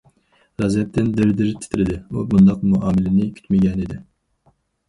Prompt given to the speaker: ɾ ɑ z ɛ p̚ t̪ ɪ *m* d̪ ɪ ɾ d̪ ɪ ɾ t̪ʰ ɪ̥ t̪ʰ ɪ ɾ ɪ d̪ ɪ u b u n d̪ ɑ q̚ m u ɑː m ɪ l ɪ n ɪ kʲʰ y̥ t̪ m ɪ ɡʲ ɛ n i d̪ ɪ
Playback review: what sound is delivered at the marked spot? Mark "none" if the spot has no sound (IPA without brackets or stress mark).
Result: n